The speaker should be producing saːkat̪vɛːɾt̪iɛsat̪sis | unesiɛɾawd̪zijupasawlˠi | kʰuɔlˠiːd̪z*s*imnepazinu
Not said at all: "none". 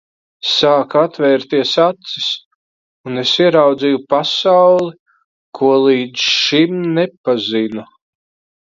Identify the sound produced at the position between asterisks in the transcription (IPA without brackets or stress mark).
ʃ